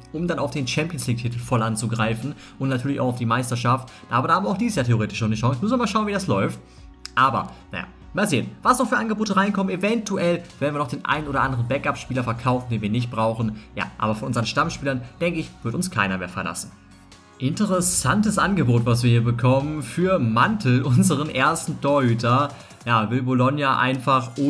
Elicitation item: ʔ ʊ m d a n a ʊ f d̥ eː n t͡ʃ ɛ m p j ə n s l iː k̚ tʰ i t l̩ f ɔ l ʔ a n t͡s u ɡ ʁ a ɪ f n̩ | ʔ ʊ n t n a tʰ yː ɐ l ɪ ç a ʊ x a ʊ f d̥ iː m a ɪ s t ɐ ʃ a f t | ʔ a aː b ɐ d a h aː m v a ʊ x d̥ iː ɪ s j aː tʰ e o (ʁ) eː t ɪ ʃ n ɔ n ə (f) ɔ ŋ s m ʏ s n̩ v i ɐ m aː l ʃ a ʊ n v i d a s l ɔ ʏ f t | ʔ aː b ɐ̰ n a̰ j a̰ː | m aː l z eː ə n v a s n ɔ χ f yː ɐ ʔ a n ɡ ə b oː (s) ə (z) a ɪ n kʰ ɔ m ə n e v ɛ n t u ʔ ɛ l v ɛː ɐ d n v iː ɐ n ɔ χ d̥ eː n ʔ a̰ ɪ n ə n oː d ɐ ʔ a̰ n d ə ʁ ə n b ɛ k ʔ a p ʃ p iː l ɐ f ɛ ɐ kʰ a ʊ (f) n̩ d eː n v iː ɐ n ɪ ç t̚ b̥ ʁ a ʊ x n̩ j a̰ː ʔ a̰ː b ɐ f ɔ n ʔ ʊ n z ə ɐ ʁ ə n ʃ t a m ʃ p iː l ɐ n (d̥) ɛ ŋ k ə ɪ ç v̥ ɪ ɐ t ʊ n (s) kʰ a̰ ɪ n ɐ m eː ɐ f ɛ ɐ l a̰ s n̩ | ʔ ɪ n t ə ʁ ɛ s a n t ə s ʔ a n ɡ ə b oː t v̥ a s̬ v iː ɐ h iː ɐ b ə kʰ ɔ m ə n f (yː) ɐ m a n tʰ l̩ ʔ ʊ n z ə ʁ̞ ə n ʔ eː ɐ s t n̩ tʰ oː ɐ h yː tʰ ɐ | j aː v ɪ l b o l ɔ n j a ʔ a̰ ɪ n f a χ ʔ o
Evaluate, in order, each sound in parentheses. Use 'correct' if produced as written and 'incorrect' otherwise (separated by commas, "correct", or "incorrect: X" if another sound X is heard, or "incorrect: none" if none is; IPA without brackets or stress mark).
correct, incorrect: ʃ, incorrect: t, incorrect: ʁ, correct, correct, correct, correct